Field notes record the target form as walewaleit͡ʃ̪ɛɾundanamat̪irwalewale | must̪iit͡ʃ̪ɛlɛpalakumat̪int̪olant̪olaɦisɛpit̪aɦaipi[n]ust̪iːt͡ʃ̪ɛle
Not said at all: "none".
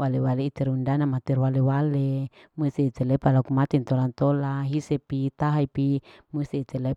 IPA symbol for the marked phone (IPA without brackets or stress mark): m